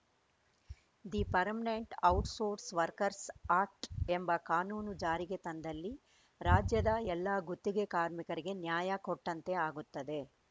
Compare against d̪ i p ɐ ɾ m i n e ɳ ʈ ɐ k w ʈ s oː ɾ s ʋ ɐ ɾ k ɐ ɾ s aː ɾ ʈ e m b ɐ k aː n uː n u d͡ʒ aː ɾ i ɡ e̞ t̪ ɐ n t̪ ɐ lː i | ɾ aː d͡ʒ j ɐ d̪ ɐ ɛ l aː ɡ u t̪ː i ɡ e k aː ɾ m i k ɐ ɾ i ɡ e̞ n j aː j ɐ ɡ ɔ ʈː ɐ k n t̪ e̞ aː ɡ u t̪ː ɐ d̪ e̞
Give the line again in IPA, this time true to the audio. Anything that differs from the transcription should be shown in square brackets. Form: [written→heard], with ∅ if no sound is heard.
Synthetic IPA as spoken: d̪ i p ɐ ɾ m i n e ɳ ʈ ɐ [k→∅] w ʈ s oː ɾ s ʋ ɐ ɾ k ɐ ɾ s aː ɾ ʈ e m b ɐ k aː n uː n u d͡ʒ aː ɾ i ɡ e̞ t̪ ɐ n [t̪→d̪] ɐ lː i | ɾ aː d͡ʒ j ɐ d̪ ɐ ɛ [l→lː] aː ɡ u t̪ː i ɡ e k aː ɾ m i k ɐ ɾ i ɡ e̞ n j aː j ɐ [ɡ→k] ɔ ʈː ɐ [k→∅] n t̪ e̞ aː ɡ u t̪ː ɐ d̪ e̞

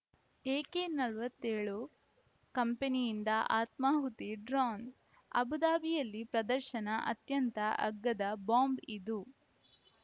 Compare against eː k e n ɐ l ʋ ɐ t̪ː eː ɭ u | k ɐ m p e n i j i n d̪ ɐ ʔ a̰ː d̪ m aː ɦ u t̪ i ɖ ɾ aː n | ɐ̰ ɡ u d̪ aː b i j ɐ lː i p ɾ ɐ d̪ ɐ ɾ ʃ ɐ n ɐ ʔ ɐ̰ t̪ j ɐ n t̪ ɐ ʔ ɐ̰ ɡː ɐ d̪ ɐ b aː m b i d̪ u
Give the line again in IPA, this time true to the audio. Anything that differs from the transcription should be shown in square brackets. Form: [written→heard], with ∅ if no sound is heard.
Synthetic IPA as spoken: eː k e n ɐ l ʋ ɐ t̪ː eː ɭ u | k ɐ m p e n i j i n d̪ ɐ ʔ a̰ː [d̪→t̪] m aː ɦ u t̪ i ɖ ɾ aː n | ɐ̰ [ɡ→b] u d̪ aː b i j ɐ lː i p ɾ ɐ d̪ ɐ ɾ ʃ ɐ n ɐ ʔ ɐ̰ t̪ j ɐ n t̪ ɐ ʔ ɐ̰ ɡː ɐ d̪ ɐ b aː m b i d̪ u

